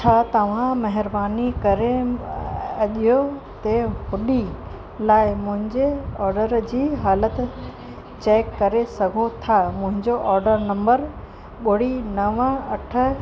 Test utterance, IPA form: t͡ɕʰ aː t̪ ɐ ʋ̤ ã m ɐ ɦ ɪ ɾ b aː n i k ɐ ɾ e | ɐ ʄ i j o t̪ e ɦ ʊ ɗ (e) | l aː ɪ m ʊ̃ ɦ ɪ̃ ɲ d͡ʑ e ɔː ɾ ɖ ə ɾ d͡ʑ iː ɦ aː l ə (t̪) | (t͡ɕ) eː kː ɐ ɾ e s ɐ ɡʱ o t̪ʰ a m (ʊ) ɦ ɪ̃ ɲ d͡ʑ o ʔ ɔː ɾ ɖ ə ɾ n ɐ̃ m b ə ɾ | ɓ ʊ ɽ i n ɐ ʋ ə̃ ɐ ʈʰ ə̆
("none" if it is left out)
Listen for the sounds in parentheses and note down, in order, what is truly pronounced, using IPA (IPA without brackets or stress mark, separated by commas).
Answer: i, t̪, t͡ɕ, ʊ̃